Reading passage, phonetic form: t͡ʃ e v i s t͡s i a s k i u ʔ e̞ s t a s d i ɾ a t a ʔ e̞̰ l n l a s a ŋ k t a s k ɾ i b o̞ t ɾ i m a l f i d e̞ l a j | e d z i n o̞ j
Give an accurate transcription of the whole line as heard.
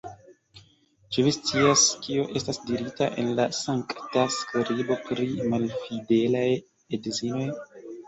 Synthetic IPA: t͡ʃ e v i s t͡s i a s k i o ʔ e̞ s t a s d i ɾ i t a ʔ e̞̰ n l a s a ŋ k t a s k ɾ i b o̞ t ɾ i m a l f i d e̞ l a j | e d z i n o̞ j